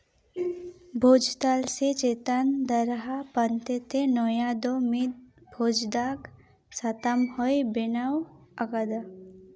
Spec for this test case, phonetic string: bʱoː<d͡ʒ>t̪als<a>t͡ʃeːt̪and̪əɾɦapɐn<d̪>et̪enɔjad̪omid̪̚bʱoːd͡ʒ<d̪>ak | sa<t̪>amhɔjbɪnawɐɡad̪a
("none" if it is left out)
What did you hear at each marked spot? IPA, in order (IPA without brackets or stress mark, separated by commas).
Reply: d͡ʒ, e, t̪, d̪, t̪